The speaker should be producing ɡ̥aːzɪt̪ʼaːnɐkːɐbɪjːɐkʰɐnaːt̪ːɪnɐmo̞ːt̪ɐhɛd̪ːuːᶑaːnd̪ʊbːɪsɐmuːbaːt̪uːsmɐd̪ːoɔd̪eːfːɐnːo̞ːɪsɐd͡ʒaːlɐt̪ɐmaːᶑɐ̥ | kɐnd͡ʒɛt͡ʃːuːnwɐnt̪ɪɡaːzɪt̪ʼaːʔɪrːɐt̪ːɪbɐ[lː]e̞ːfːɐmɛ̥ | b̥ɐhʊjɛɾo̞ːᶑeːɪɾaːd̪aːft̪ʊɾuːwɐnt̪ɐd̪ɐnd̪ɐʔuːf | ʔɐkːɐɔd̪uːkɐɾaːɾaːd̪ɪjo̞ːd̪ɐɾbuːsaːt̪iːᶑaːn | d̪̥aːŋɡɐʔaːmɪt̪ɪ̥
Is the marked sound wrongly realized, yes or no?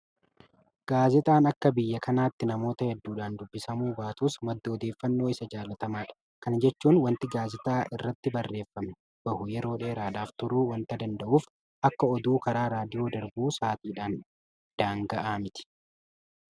yes